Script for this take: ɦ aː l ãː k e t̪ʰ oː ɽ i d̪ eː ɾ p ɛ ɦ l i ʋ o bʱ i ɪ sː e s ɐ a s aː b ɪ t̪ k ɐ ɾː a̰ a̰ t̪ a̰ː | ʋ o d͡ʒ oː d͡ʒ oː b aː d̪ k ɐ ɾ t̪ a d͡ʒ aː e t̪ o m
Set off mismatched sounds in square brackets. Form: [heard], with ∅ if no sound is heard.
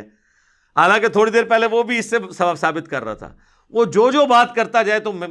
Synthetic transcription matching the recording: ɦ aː l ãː k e t̪ʰ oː ɽ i d̪ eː ɾ p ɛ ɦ l [e] ʋ o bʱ i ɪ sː e s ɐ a s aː b ɪ t̪ k ɐ ɾː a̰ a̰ [t̪ʰ] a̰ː | ʋ o d͡ʒ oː d͡ʒ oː b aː [t̪] k ɐ ɾ t̪ a d͡ʒ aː e t̪ o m